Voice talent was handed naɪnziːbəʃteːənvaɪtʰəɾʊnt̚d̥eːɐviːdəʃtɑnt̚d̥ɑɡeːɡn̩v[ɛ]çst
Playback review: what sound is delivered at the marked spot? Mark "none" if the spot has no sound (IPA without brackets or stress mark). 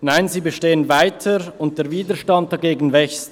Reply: ɛ